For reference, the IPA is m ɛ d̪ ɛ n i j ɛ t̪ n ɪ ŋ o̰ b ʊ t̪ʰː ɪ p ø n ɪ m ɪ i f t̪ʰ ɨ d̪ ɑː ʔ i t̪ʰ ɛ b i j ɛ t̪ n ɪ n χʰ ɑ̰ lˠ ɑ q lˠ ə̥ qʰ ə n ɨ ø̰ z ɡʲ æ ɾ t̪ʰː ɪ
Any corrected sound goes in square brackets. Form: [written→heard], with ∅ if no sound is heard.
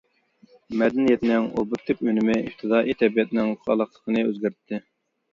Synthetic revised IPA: m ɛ d̪ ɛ n i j ɛ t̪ n ɪ ŋ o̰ b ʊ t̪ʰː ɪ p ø n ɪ m ɪ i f t̪ʰ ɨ d̪ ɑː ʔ i t̪ʰ ɛ b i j ɛ t̪ n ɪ [n→ŋ] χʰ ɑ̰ lˠ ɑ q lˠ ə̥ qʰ ə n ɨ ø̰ z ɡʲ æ ɾ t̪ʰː ɪ